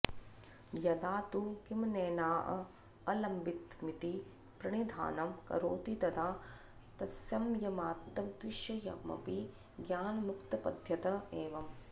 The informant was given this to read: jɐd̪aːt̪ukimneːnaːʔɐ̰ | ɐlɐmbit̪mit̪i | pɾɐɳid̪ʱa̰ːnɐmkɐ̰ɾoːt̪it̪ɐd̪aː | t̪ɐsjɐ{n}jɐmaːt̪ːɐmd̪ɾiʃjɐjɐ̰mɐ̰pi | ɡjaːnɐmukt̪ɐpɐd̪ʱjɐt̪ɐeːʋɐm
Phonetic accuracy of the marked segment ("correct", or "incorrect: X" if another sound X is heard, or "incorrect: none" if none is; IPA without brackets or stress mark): incorrect: m